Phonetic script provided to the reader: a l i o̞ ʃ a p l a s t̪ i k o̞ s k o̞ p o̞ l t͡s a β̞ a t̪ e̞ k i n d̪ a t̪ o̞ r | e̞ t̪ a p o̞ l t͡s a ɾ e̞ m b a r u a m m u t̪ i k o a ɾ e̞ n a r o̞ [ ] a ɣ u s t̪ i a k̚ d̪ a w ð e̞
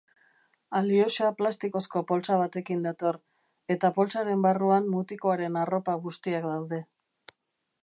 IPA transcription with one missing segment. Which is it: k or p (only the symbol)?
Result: p